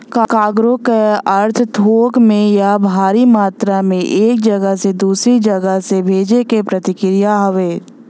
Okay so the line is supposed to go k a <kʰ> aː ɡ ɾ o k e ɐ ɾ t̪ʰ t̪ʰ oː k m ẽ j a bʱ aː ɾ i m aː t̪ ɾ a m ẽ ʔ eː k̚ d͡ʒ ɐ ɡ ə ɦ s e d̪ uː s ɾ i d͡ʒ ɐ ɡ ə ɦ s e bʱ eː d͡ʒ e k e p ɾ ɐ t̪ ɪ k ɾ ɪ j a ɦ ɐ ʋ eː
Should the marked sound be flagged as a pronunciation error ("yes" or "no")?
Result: yes